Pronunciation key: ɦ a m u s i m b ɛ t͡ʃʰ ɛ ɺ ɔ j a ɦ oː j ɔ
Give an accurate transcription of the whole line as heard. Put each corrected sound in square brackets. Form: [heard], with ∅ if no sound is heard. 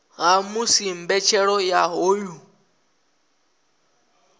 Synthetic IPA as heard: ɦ a m u s i m b ɛ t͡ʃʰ ɛ ɺ ɔ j a ɦ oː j [u]